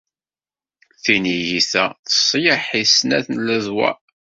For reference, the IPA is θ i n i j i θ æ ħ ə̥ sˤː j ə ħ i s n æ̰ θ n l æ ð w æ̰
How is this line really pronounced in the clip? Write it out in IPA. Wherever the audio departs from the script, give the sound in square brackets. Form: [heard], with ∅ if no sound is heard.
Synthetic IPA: θ i n i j i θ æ [θ] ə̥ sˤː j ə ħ i s n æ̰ θ n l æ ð w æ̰